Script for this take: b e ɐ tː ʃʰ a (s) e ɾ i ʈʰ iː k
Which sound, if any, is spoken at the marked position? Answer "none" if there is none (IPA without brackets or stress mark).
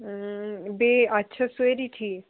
s